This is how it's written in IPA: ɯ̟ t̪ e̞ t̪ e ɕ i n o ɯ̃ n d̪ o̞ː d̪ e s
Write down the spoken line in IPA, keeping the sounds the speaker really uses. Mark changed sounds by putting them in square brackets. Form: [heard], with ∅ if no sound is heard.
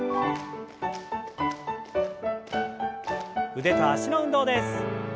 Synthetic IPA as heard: ɯ̟ [d̪] e̞ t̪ [a] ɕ i n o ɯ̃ n d̪ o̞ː d̪ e s